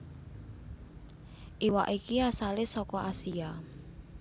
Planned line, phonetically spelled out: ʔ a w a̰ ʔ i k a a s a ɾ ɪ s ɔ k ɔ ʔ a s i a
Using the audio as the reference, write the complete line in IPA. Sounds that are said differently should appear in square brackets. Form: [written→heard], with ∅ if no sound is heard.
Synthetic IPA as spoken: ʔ [a→i] w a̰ ʔ i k [a→i] a s a [ɾ→l] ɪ s ɔ k ɔ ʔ a s i a